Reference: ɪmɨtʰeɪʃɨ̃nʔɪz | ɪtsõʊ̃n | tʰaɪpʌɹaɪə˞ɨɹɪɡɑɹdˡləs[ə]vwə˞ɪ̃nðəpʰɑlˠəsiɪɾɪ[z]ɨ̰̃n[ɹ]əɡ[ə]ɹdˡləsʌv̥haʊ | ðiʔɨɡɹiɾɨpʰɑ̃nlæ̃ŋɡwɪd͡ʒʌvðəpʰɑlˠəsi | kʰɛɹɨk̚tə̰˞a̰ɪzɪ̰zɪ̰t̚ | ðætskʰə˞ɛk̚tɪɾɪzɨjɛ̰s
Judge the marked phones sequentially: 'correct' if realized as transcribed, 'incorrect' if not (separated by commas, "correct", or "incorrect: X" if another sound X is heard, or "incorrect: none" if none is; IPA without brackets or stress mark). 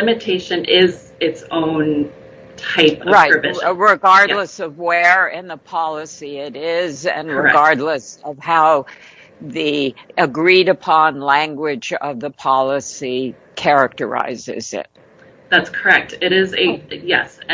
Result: incorrect: ʌ, correct, correct, incorrect: ɑ